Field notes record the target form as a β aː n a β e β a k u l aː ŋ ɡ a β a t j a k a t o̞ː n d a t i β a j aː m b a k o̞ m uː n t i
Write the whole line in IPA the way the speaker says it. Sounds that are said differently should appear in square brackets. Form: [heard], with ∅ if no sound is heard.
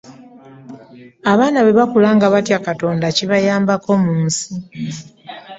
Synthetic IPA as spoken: a β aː n a β e β a k u l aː ŋ ɡ a β a t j a k a t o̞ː n d a [c] i β a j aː m b a k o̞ m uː n [s] i